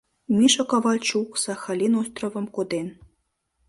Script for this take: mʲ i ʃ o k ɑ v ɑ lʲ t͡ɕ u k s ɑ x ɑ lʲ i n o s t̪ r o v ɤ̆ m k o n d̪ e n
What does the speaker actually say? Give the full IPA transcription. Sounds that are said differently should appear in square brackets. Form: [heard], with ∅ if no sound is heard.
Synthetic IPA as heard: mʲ i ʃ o k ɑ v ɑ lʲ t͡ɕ u k s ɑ x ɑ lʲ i n o s t̪ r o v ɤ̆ m k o [∅] d̪ e n

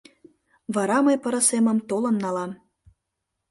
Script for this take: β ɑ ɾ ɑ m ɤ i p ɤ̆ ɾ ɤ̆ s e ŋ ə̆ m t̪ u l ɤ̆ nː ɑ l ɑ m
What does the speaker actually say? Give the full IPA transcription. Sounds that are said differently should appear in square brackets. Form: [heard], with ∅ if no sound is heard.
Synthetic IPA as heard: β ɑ ɾ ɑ m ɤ [j] p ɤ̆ ɾ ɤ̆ s e [m] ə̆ m t̪ [o] l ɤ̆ nː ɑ l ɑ m

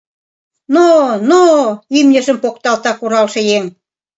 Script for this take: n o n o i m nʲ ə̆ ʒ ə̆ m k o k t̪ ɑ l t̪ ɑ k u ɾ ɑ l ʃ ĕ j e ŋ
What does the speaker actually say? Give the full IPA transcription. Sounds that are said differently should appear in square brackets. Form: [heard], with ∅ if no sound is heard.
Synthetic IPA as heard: n o n o i m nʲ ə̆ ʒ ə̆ m [p] o k t̪ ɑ l t̪ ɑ k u ɾ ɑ l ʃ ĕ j e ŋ

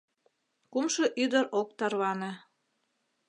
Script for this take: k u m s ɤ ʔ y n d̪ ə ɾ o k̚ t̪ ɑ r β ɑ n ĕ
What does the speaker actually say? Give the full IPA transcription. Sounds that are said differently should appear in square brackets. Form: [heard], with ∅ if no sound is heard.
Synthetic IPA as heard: k u m [ʃ] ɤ ʔ y [∅] d̪ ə ɾ o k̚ t̪ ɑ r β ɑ n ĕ

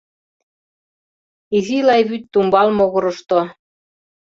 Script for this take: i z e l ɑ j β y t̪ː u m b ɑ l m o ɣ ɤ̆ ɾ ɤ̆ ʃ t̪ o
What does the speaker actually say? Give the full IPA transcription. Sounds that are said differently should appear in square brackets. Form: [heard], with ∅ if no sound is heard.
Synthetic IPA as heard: i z [i] l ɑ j β y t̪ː u m b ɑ l m o ɣ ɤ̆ ɾ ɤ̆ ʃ t̪ o

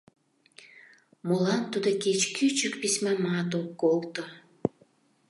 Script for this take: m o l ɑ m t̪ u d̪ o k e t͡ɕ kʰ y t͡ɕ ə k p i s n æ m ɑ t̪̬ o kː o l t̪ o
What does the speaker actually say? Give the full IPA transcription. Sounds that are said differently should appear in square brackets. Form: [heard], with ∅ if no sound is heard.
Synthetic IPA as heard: m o l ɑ [n] t̪ u d̪ o k e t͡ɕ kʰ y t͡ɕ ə k p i s [m] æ m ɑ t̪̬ o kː o l t̪ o

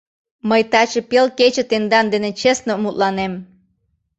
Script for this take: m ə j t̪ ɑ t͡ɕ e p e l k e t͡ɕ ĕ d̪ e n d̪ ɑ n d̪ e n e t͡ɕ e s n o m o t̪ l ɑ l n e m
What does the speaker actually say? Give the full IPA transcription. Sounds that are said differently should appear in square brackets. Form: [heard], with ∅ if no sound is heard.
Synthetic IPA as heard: m ə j t̪ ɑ t͡ɕ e p e l k e t͡ɕ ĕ [t̪] e n d̪ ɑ n d̪ e n e t͡ɕ e s n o m [u] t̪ l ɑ [∅] n e m

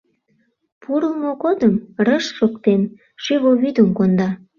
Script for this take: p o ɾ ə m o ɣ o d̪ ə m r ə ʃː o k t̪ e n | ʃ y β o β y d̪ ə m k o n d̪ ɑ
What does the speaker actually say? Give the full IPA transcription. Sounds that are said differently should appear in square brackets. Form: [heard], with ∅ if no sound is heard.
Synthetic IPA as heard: p [u] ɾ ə m o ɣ o d̪ ə m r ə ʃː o k t̪ e n | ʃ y β o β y d̪ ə m k o n d̪ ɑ

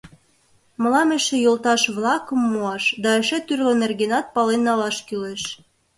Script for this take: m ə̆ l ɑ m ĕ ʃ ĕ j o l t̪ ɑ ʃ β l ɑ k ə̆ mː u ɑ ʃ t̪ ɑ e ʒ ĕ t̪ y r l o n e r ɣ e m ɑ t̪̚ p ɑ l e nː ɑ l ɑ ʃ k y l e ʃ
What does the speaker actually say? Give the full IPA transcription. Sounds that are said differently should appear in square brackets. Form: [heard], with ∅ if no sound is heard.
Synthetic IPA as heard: m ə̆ l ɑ m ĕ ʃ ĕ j o l t̪ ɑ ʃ β l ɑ k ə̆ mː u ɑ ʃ [d̪] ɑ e [ʃ] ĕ t̪ y r l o n e r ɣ e [n] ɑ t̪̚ p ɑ l e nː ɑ l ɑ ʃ k y l e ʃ

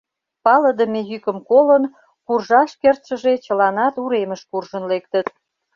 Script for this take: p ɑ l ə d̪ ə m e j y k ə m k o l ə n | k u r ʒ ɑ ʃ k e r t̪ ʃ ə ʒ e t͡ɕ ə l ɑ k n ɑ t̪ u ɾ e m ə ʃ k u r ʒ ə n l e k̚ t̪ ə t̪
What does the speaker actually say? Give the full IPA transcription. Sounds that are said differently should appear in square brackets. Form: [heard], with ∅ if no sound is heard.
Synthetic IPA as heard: p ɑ l ə d̪ ə m e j y k ə m k o l ə n | k u r ʒ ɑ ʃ k e r t̪ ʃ ə ʒ e t͡ɕ ə l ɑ [∅] n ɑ t̪ u ɾ e m ə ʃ k u r ʒ ə n l e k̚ t̪ ə t̪

